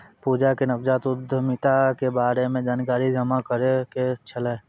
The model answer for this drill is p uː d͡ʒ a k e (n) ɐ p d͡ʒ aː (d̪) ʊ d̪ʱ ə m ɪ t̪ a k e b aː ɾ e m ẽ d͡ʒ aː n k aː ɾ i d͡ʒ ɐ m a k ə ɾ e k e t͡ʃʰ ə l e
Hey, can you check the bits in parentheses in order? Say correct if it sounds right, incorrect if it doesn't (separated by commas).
correct, incorrect